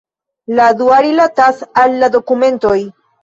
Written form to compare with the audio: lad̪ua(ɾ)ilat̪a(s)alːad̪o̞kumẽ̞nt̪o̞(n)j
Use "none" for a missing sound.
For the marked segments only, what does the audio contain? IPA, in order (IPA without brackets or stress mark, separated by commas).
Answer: ɾ, s, none